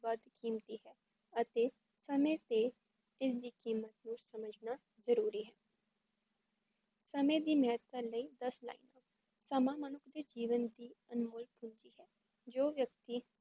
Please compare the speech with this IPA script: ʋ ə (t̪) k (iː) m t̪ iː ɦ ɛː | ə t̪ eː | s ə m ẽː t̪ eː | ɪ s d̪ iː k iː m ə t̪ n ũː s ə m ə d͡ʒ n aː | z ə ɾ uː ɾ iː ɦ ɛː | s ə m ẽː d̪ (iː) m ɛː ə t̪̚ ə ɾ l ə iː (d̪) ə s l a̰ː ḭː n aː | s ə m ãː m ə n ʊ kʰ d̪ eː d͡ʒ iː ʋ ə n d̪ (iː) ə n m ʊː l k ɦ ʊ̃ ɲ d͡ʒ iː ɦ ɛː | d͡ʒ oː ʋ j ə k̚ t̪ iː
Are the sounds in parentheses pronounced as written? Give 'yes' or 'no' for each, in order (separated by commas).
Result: no, yes, yes, yes, yes